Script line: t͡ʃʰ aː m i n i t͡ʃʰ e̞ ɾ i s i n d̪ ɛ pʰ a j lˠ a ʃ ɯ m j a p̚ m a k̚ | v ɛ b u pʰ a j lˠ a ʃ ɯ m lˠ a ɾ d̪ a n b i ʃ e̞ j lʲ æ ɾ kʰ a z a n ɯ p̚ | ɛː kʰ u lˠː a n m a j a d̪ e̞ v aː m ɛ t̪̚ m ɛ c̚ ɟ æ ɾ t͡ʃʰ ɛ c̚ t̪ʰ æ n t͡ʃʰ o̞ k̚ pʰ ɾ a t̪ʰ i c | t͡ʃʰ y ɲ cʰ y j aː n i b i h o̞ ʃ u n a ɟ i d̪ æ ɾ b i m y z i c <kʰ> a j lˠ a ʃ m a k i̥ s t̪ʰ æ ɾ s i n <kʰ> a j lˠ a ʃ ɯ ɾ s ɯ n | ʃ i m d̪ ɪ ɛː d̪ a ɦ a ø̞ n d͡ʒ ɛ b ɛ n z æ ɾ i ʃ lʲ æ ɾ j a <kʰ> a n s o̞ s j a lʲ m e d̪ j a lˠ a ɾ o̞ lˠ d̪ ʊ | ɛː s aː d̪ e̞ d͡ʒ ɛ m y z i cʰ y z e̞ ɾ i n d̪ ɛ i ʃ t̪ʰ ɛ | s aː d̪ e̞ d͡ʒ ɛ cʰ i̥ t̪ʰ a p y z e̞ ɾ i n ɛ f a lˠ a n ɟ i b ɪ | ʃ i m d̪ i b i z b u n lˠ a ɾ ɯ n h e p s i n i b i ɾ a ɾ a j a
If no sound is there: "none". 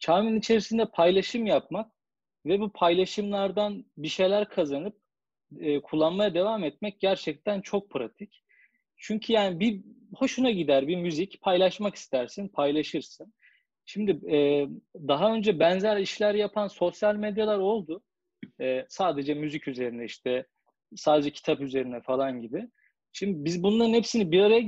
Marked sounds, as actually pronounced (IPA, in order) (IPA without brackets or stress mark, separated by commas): pʰ, pʰ, pʰ